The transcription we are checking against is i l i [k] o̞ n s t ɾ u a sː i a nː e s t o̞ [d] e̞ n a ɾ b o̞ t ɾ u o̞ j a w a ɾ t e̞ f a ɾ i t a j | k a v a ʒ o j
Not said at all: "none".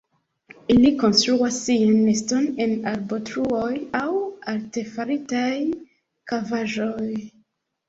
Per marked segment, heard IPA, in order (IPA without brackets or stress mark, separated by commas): k, n